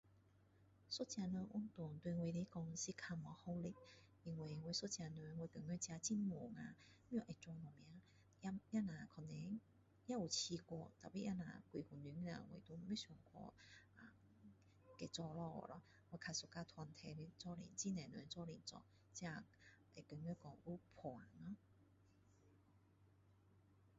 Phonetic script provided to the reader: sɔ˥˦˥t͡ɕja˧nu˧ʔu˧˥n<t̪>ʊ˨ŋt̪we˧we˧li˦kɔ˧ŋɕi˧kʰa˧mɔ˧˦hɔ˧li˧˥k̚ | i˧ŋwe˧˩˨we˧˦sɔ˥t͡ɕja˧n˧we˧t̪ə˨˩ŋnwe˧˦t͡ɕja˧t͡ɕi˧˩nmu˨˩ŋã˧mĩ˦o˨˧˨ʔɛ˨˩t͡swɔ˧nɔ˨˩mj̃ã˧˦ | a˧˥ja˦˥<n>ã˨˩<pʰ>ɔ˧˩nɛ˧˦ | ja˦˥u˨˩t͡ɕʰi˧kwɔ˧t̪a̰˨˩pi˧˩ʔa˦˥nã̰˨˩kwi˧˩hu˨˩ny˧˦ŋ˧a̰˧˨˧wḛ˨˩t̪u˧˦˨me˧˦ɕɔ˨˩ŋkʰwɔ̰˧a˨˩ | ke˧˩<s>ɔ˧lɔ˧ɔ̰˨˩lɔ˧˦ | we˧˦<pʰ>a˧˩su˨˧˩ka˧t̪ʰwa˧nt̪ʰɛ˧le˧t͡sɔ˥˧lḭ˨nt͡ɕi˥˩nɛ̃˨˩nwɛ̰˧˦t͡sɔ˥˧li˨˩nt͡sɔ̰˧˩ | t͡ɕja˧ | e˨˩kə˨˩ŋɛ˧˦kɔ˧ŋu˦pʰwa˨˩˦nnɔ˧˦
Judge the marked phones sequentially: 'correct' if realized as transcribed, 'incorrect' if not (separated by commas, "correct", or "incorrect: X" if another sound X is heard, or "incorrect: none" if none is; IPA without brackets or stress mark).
correct, correct, incorrect: kʰ, incorrect: t͡s, incorrect: kʰ